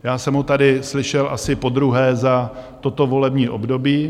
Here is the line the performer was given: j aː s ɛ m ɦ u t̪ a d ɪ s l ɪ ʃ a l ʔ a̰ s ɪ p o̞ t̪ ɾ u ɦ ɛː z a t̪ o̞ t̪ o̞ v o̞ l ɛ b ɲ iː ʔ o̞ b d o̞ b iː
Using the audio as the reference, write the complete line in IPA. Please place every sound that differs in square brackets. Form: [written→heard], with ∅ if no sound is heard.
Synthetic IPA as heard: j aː s ɛ m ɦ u t̪ a d ɪ s l ɪ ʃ [a→ɛ] l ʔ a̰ s ɪ p o̞ [t̪→d̪] ɾ u ɦ ɛː z a t̪ o̞ t̪ o̞ v o̞ l ɛ b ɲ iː ʔ o̞ b d o̞ b iː